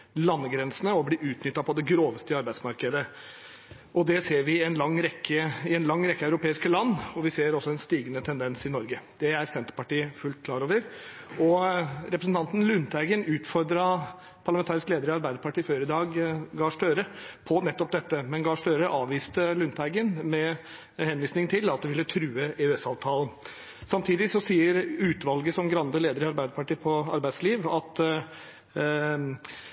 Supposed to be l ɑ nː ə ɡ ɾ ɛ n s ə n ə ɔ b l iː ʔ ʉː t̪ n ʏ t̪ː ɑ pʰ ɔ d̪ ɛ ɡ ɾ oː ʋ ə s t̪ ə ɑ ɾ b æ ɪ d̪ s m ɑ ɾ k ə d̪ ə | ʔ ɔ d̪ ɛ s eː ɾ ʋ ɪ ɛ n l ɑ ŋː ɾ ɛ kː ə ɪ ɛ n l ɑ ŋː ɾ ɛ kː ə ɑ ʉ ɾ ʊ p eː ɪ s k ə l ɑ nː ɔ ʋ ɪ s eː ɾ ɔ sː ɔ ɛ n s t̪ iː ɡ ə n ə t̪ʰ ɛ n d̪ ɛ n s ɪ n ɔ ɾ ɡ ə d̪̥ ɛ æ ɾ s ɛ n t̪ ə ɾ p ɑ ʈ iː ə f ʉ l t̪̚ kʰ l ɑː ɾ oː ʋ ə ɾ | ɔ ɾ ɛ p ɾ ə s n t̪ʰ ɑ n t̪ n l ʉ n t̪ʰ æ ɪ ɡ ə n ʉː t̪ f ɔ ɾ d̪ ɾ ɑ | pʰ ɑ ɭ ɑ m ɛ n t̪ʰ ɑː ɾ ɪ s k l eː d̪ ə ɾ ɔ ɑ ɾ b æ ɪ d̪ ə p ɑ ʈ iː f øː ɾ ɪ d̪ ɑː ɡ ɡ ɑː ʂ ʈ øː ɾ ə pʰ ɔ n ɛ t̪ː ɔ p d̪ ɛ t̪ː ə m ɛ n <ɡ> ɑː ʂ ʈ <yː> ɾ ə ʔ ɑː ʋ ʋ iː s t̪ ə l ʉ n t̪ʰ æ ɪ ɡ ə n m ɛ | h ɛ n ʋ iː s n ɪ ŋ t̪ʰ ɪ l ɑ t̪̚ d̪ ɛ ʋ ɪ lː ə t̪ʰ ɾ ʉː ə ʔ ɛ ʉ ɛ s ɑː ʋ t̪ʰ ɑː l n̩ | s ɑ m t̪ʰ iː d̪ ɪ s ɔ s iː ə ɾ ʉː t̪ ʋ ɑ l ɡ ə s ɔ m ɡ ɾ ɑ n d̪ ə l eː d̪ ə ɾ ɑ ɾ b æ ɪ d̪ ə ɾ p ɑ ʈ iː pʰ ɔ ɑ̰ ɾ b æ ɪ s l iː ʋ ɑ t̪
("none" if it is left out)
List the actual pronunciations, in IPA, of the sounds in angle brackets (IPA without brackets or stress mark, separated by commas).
ɡ, øː